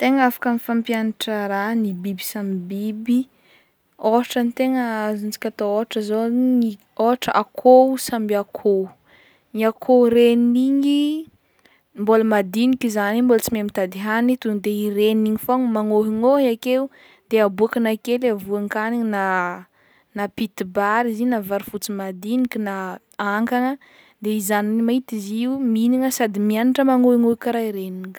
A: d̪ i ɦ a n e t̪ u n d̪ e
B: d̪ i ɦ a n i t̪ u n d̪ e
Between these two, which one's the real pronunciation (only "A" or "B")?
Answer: B